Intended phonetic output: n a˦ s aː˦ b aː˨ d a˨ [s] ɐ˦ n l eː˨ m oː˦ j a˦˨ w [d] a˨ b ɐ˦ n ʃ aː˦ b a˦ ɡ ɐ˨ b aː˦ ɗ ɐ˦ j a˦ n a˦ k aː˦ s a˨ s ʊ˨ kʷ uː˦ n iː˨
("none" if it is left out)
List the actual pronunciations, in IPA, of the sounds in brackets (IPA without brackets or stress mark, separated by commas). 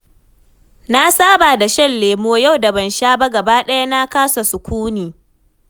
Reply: ʃ, d